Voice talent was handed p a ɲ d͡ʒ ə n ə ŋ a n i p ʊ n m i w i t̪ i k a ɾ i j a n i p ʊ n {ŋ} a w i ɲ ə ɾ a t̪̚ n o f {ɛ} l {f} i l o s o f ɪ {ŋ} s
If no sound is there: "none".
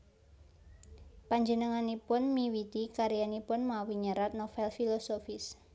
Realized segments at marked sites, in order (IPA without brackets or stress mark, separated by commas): m, ɛ, f, none